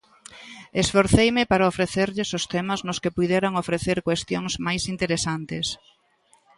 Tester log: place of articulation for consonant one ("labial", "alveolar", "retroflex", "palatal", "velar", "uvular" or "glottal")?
alveolar